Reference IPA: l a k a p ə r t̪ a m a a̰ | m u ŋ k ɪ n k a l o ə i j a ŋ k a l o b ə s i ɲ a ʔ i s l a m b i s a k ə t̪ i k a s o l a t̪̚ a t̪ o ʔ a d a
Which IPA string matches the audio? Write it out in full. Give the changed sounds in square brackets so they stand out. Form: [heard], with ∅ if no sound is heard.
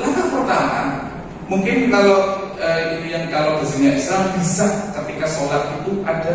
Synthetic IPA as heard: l a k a p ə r t̪ a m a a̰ | m u ŋ k ɪ n k a l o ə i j a ŋ k a l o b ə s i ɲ a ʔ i s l a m b i s a k ə t̪ i k a s o l a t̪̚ [i] t̪ [u] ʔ a d a